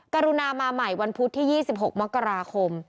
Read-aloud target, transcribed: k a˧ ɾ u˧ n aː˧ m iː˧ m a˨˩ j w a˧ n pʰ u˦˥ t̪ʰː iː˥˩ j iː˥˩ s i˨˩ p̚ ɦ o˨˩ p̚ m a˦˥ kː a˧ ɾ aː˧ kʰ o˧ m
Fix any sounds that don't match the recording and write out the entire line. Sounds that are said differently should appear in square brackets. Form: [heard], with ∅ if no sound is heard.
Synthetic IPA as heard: k a˧ ɾ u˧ n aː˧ m [aː˧] m a˨˩ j w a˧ n pʰ u˦˥ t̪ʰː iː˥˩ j iː˥˩ s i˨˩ p̚ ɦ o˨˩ [k̚] m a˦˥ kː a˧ ɾ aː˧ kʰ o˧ m